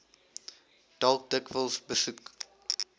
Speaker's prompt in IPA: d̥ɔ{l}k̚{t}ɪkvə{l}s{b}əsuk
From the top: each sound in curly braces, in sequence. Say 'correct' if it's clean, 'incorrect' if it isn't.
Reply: correct, incorrect, correct, correct

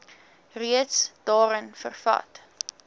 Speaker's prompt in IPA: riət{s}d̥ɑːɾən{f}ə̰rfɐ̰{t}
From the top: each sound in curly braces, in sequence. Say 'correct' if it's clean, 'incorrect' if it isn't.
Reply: correct, correct, correct

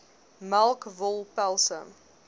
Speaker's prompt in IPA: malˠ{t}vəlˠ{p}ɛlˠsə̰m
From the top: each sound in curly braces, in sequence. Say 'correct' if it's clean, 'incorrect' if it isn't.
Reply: incorrect, correct

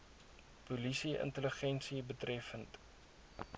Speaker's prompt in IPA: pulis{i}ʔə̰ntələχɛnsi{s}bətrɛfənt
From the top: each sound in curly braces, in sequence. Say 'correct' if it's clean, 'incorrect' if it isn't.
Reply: correct, incorrect

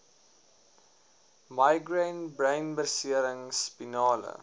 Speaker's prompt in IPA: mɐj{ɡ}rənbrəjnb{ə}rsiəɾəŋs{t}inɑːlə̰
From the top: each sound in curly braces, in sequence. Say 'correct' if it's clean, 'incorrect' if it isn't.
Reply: correct, correct, incorrect

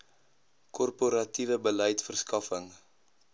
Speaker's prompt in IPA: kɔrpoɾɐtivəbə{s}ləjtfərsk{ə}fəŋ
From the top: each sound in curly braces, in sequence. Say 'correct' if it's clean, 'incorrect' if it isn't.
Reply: incorrect, incorrect

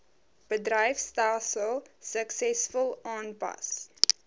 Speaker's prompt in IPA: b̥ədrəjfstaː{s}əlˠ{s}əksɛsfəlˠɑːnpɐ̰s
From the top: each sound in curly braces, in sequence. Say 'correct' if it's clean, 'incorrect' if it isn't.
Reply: correct, correct

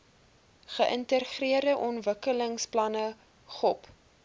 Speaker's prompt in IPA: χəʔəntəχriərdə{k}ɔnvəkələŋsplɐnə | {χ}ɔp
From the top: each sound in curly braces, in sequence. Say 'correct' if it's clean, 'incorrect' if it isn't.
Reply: incorrect, correct

